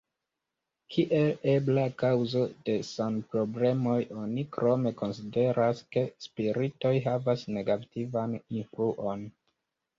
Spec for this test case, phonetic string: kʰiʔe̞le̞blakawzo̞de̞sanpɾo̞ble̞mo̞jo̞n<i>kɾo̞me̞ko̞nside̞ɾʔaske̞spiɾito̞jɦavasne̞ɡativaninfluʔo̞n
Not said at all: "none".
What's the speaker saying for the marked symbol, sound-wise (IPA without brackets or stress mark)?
i